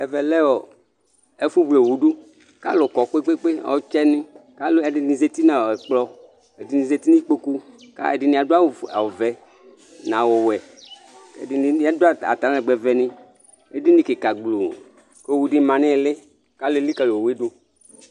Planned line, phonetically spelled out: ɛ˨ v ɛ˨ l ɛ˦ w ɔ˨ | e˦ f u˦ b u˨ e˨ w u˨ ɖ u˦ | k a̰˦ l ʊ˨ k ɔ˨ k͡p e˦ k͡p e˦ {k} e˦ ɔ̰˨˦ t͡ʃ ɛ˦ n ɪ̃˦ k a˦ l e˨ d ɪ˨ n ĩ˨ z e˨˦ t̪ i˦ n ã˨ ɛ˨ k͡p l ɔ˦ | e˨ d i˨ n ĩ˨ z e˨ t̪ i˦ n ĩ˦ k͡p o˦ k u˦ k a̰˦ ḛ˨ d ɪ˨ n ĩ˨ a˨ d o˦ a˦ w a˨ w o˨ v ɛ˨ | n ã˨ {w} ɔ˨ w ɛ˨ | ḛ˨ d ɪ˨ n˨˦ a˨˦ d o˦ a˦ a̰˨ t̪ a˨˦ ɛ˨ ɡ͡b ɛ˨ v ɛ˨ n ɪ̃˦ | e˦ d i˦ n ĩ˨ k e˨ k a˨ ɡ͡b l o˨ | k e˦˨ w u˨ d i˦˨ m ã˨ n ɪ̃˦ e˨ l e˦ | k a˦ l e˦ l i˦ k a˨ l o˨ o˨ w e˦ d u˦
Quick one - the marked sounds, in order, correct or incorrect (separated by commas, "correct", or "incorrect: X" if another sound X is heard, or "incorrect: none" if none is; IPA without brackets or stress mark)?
incorrect: k͡p, correct